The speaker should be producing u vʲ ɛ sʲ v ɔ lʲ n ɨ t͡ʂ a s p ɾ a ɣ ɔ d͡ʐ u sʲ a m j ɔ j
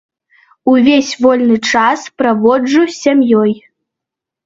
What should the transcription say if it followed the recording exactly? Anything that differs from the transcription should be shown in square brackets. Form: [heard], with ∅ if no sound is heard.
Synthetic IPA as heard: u vʲ [e] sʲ v ɔ lʲ n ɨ t͡ʂ a s p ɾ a [v] ɔ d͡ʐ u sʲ a m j ɔ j